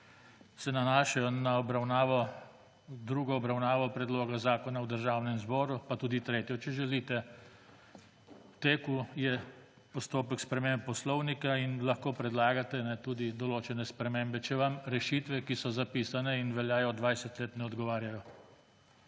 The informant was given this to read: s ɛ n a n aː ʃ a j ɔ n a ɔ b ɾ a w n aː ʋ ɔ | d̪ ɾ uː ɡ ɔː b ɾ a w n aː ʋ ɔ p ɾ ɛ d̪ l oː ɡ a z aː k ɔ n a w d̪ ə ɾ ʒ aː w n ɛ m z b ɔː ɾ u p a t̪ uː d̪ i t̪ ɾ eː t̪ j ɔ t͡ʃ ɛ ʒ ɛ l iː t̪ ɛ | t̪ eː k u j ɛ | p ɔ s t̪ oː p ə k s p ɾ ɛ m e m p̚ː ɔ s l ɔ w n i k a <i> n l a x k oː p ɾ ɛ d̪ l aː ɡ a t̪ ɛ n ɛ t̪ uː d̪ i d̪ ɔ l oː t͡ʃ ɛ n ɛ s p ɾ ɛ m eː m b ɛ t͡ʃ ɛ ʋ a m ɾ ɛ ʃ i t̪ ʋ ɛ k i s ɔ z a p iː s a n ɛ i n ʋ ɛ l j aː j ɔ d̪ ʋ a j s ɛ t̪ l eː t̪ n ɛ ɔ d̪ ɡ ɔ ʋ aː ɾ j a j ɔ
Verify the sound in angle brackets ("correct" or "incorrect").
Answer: correct